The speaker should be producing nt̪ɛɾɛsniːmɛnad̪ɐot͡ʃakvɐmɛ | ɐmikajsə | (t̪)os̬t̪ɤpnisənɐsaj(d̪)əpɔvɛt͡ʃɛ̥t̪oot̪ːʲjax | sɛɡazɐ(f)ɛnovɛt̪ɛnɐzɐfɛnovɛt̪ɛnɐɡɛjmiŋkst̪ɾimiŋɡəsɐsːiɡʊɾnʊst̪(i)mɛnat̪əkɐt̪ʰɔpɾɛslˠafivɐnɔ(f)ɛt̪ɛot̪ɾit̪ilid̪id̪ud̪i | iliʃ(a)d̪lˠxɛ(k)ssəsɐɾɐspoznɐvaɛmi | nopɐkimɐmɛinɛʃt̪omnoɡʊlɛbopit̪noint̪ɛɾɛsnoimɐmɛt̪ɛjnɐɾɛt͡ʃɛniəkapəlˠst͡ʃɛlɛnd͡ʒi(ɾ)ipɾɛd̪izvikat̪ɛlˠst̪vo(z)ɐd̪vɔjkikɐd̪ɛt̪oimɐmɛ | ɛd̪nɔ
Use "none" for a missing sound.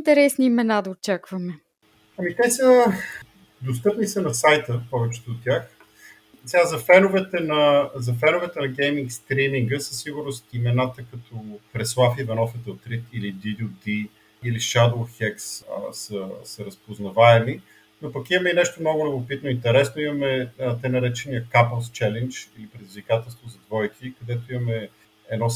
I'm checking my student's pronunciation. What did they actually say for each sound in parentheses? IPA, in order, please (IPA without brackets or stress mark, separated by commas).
d̪, t̪, f, i, f, a, k, l, z